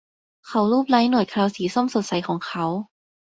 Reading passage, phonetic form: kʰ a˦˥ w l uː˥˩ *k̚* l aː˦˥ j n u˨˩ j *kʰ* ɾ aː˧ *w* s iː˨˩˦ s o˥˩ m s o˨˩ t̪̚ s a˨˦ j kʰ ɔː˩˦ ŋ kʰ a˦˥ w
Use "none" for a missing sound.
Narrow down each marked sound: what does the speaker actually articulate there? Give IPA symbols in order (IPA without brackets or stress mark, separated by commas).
p̚, kʰ, w